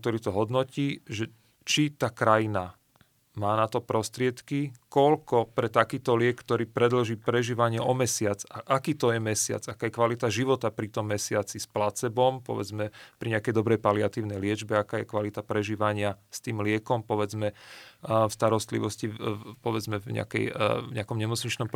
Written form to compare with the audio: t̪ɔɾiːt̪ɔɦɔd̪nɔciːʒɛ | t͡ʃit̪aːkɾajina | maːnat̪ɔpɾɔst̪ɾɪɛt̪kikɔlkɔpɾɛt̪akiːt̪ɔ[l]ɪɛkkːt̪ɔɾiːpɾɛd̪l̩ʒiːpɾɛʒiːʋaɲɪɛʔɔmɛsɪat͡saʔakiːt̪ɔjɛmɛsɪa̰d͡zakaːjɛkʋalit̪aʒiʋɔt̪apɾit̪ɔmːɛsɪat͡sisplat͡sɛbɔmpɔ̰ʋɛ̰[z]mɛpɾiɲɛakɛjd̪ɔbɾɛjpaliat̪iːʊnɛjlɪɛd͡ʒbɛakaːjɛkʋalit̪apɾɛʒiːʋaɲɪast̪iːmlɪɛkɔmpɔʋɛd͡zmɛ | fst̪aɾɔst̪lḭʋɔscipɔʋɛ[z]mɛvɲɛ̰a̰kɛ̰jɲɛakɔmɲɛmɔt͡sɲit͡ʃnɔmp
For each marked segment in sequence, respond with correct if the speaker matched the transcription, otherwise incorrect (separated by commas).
correct, incorrect, incorrect